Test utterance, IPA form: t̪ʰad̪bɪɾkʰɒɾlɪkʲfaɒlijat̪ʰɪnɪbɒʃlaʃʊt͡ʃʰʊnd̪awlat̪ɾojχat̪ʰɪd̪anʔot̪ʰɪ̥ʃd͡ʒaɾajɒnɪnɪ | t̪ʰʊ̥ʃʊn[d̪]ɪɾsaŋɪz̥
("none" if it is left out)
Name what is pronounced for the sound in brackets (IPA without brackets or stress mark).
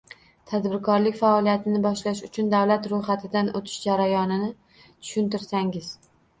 t̪